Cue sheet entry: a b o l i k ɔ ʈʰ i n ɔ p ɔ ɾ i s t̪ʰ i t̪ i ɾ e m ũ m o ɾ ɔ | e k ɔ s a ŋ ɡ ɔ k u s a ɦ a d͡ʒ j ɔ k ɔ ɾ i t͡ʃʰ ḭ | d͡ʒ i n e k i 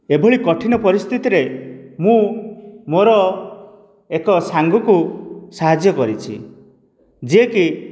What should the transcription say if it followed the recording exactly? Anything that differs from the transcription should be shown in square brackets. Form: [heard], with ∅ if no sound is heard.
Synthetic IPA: [e] b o [ɭ] i k ɔ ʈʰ i n ɔ p ɔ ɾ i s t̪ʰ i t̪ i ɾ e m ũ m o ɾ ɔ | e k ɔ s a ŋ ɡ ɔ k u s a ɦ a d͡ʒ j ɔ k ɔ ɾ i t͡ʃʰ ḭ | d͡ʒ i [∅] e k i

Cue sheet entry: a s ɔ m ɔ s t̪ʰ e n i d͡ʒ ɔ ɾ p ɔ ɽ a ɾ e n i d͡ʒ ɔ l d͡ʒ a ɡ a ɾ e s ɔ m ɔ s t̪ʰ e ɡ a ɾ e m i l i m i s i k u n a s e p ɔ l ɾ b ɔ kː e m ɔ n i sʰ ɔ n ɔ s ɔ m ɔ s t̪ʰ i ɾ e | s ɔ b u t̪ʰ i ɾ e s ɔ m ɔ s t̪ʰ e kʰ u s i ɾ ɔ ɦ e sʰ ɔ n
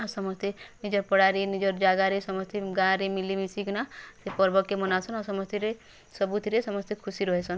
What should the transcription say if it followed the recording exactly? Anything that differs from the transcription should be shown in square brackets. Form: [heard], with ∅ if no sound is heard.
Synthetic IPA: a s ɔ m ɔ s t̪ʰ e n i d͡ʒ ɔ ɾ p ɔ ɽ a ɾ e n i d͡ʒ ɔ [ɾ] d͡ʒ a ɡ a ɾ e s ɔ m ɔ s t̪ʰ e ɡ a ɾ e m i l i m i s i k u n a s e p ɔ [∅] ɾ b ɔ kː e m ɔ n [a] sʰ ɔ n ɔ s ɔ m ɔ s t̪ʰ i ɾ e | s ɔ b u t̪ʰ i ɾ e s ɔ m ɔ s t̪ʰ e kʰ u s i ɾ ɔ ɦ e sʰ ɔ n

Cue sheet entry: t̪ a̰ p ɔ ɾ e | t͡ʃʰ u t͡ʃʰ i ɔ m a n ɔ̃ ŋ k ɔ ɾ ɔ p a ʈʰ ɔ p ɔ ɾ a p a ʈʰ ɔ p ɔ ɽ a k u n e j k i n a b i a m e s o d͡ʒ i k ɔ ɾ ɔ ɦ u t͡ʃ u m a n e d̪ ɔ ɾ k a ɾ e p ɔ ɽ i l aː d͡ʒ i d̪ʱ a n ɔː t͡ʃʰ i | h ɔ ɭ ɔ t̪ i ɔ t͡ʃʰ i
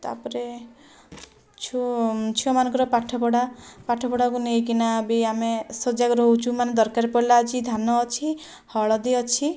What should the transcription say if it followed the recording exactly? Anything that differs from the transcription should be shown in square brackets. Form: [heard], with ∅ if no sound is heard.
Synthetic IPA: t̪ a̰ p ɔ ɾ e | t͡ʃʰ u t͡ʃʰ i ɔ m a n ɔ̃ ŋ k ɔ ɾ ɔ p a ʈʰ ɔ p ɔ [ɽ] a p a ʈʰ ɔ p ɔ ɽ a k u n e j k i n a b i a m e s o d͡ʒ [a] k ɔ ɾ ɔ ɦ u t͡ʃ u m a n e d̪ ɔ ɾ k a ɾ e p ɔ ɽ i l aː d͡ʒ i d̪ʱ a n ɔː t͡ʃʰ i | h ɔ ɭ ɔ [d̪] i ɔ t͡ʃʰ i

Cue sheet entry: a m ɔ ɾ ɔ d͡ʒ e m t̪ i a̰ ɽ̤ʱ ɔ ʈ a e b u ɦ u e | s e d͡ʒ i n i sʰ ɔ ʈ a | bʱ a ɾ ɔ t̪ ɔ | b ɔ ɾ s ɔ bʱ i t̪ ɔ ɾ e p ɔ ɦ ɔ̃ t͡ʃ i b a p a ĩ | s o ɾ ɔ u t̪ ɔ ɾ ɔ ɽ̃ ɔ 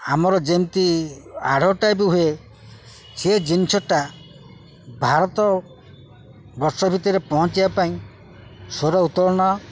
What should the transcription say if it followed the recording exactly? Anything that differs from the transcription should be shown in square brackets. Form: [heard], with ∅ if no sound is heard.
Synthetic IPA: a m ɔ ɾ ɔ d͡ʒ e m t̪ i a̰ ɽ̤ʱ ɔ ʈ a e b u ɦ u e | s e d͡ʒ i n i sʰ ɔ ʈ a | bʱ a ɾ ɔ t̪ ɔ | b ɔ ɾ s ɔ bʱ i t̪ ɔ ɾ e p ɔ ɦ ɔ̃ t͡ʃ i b a p a ĩ | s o ɾ ɔ u t̪ ɔ ɾ ɔ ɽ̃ ɔ

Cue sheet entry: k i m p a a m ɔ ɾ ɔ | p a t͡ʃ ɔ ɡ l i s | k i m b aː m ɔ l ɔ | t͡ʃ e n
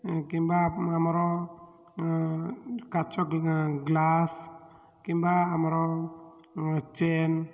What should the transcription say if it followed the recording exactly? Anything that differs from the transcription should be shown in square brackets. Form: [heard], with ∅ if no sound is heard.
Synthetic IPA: k i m [b] a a m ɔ ɾ ɔ | [k] a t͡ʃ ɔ ɡ l [a] s | k i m b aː m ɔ [ɾ] ɔ | t͡ʃ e n

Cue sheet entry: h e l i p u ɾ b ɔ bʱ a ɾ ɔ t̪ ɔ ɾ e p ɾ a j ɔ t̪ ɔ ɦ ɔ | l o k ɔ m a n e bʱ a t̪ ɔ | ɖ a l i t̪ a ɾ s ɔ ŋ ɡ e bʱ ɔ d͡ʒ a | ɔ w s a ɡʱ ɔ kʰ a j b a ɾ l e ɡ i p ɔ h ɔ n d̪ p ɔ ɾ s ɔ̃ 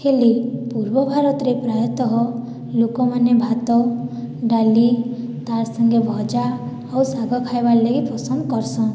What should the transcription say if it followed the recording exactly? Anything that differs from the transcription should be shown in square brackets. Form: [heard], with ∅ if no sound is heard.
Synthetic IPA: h e l i p u ɾ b ɔ bʱ a ɾ ɔ t̪ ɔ ɾ e p ɾ a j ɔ t̪ ɔ ɦ ɔ | l o k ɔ m a n e bʱ a t̪ ɔ | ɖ a l i t̪ a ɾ s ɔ ŋ ɡ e bʱ ɔ d͡ʒ a | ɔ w s a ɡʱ ɔ kʰ a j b a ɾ l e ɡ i p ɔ [s] ɔ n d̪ [k] ɔ ɾ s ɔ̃

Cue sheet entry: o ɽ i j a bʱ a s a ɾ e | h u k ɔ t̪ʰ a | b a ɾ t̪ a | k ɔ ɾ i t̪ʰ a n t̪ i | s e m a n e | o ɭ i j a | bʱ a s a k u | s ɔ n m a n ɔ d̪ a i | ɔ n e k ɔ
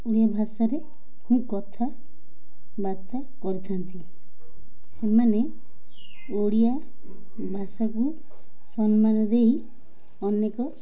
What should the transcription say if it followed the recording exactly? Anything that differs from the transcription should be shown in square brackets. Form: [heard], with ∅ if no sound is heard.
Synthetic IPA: o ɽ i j a bʱ a s a ɾ e | h [ũ] k ɔ t̪ʰ a | b a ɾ t̪ a | k ɔ ɾ i t̪ʰ a n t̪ i | s e m a n e | o [ɽ] i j a | bʱ a s a k u | s ɔ n m a n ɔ d̪ [e] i | ɔ n e k ɔ

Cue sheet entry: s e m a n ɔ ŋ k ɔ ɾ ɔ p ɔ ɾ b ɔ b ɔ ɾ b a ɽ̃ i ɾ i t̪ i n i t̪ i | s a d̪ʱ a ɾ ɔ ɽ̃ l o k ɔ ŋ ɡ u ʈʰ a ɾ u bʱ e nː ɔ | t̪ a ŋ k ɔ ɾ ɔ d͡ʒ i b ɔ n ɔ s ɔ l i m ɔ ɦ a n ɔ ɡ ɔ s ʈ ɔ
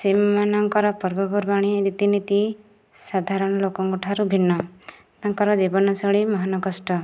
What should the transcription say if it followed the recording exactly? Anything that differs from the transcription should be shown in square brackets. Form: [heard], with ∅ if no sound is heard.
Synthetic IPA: s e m a n ɔ ŋ k ɔ ɾ ɔ p ɔ ɾ b ɔ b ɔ ɾ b a ɽ̃ i ɾ i t̪ i n i t̪ i | s a d̪ʱ a ɾ ɔ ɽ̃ l o k ɔ ŋ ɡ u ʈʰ a ɾ u bʱ [i] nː ɔ | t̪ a ŋ k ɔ ɾ ɔ d͡ʒ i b ɔ n ɔ s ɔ [ɭ] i m ɔ ɦ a n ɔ ɡ ɔ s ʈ ɔ

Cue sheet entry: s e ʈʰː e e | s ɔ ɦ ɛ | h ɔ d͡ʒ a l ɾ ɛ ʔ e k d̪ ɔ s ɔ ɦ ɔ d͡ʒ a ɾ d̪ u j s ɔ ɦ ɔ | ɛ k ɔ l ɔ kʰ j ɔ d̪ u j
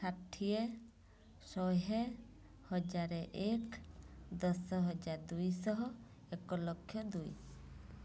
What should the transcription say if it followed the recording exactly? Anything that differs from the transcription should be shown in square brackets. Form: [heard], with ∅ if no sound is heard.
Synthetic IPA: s [a] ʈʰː [i] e | s ɔ ɦ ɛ | h ɔ d͡ʒ a [∅] ɾ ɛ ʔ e k d̪ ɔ s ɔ ɦ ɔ d͡ʒ a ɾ d̪ u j s ɔ ɦ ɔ | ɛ k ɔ l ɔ kʰ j ɔ d̪ u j

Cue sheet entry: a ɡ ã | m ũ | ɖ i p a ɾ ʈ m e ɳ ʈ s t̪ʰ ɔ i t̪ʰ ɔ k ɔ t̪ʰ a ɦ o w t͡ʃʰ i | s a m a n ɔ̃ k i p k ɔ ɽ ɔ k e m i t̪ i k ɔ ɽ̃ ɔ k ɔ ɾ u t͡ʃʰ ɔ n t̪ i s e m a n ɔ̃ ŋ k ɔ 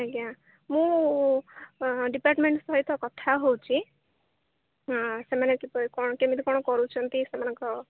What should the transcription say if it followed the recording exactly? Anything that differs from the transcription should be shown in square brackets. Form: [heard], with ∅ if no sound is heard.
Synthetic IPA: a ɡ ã | m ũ | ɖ i p a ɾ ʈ m e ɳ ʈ s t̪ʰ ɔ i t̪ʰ ɔ k ɔ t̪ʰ a ɦ o w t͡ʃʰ i | s [e] m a n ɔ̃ k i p k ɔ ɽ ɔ k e m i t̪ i k ɔ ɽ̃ ɔ k ɔ ɾ u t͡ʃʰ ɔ n t̪ i s e m a n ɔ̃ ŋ k ɔ

